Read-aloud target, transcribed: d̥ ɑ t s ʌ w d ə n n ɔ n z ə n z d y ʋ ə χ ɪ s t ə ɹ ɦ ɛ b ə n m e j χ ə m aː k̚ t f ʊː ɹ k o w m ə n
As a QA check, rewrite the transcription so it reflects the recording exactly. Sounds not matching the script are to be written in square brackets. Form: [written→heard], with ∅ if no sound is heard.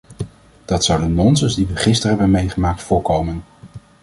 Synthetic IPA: d̥ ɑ t s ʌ w d ə n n ɔ n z ə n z d [y→i] ʋ ə χ ɪ s t ə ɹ ɦ ɛ b ə n m e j χ ə m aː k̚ t f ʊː ɹ k o w m ə n

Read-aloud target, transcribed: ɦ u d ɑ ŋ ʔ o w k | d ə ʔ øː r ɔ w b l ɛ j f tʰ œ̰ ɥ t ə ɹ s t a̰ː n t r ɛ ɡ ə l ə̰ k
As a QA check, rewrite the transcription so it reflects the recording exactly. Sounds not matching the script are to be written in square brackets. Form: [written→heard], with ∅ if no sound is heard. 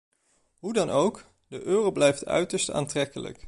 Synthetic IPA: ɦ u d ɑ [ŋ→n] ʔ o w k | d ə ʔ øː r [ɔ→o] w b l ɛ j f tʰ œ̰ ɥ t ə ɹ s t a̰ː n t r ɛ [ɡ→k] ə l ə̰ k

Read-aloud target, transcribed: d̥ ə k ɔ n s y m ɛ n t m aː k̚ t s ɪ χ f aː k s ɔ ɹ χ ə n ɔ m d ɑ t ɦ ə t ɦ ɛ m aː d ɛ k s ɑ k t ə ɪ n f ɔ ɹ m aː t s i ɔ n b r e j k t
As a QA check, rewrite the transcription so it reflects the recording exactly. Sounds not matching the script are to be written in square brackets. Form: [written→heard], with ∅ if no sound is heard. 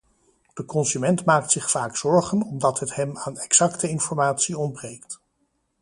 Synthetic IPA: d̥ ə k ɔ n s y m ɛ n t m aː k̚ t s ɪ χ f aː k s ɔ ɹ χ ə n ɔ m d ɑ t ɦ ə t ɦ ɛ m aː [d→n] ɛ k s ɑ k t ə ɪ n f ɔ ɹ m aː t s i ɔ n b r e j k t

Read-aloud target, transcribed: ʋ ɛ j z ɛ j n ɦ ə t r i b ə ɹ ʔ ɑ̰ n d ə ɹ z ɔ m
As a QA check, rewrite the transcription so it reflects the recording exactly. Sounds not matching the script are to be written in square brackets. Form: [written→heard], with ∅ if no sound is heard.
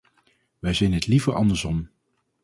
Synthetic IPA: ʋ ɛ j z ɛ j n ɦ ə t [r→l] i [b→v] ə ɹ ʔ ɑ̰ n d ə ɹ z ɔ m

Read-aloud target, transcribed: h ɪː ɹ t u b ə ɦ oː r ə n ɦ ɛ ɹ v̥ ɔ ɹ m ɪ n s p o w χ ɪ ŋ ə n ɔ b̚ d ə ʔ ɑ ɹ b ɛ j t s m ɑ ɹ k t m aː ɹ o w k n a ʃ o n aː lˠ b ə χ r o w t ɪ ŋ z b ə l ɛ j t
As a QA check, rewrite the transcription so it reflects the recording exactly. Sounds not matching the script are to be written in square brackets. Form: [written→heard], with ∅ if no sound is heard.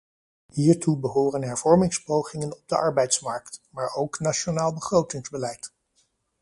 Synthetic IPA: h [ɪː→iː] ɹ t u b ə ɦ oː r ə n ɦ ɛ ɹ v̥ ɔ ɹ m ɪ [n→ŋ] s p o w χ ɪ ŋ ə n ɔ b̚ d ə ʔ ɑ ɹ b ɛ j t s m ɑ ɹ k t m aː ɹ o w k n a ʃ o n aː lˠ b ə χ r o w t ɪ ŋ z b ə l ɛ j t

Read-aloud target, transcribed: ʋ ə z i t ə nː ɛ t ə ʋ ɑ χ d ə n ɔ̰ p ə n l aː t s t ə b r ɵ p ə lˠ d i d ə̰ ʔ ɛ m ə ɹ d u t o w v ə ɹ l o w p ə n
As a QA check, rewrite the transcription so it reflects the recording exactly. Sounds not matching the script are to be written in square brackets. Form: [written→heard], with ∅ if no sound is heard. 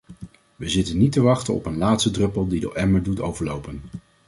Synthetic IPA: ʋ ə z [i→ɪ] t ə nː [ɛ→i] t ə ʋ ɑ χ [d→t] ə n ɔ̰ p ə n l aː t s t ə [b→d] r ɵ p ə lˠ d i d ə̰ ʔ ɛ m ə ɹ d u t o w v ə ɹ l o w p ə n

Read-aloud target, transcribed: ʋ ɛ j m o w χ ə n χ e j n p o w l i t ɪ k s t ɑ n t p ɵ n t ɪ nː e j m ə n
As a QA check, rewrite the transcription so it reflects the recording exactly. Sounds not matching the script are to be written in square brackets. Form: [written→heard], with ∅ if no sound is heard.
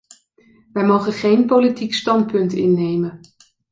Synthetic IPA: ʋ ɛ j m o w χ ə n χ e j n p o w l i t [ɪ→i] k s t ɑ n t p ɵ n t ɪ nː e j m ə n

